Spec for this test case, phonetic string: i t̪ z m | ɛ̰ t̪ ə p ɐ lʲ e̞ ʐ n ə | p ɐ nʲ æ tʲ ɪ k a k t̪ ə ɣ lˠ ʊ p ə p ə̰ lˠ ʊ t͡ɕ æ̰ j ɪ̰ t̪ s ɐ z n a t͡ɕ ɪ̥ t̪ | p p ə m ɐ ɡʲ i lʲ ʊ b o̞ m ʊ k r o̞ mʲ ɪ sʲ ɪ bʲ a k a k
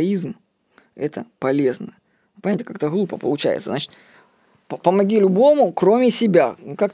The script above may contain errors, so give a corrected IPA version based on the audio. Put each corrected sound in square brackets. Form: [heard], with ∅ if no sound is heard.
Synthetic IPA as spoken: i [∅] z m | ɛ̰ t̪ ə p ɐ lʲ e̞ [z] n ə | p ɐ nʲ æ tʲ ɪ k a k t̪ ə ɣ lˠ [u] p ə p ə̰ lˠ ʊ t͡ɕ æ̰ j ɪ̰ t̪ s [ə] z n a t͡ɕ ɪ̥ t̪ | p p ə m ɐ ɡʲ i lʲ ʊ b o̞ m ʊ k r o̞ mʲ ɪ sʲ ɪ bʲ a k a k